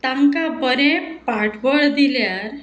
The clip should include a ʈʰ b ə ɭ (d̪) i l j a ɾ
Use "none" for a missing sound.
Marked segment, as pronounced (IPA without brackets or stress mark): d̪